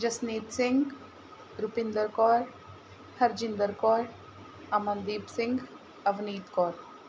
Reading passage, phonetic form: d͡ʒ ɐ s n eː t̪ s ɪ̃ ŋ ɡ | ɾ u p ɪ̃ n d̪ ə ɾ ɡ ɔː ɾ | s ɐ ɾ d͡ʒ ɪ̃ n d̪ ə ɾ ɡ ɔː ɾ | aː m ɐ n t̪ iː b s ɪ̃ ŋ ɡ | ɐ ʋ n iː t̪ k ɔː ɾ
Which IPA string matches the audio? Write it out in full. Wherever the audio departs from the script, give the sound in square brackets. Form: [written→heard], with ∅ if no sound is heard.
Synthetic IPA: d͡ʒ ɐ s n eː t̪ s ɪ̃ ŋ ɡ | ɾ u p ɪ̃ n d̪ ə ɾ [ɡ→k] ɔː ɾ | [s→h] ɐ ɾ d͡ʒ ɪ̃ n d̪ ə ɾ [ɡ→k] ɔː ɾ | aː m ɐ n [t̪→d̪] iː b s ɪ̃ ŋ ɡ | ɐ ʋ n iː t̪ k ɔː ɾ